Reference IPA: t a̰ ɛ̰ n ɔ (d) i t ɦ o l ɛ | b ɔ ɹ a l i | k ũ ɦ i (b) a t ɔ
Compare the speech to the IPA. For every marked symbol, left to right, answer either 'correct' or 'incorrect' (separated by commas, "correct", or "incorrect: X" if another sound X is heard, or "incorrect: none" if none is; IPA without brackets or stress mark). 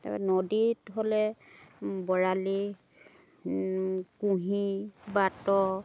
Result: correct, correct